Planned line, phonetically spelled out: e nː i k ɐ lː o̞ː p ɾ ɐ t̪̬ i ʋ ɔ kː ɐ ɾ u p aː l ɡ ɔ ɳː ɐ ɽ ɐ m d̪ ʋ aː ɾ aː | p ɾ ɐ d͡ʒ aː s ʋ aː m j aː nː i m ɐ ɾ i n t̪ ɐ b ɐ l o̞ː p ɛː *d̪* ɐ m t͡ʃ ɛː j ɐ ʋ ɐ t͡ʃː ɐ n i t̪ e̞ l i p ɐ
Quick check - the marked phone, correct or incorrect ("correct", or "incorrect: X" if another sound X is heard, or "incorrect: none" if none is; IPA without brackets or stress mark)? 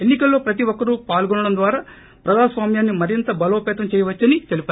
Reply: incorrect: t̪